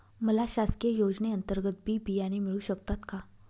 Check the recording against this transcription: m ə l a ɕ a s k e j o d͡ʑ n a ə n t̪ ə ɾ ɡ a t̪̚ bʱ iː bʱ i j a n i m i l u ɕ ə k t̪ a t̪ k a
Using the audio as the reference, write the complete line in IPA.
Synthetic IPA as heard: m ə l a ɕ a s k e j o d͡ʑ n e ə n t̪ ə ɾ ɡ ə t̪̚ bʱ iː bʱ i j a n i m i ɭ u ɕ ə k t̪ a t̪ k a